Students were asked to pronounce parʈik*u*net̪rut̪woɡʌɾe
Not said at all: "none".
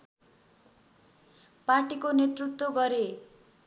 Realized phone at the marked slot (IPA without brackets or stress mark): o